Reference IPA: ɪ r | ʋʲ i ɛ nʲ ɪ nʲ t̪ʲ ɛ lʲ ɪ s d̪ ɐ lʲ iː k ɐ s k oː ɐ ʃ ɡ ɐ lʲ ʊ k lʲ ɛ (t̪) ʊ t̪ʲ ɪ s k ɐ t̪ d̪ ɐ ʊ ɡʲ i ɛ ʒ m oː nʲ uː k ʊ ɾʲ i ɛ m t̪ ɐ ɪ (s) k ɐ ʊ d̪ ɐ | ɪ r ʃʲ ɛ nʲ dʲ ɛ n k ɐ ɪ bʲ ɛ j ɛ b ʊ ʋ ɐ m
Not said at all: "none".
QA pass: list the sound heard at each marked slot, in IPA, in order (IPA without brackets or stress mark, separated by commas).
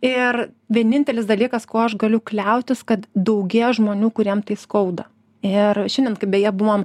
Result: none, s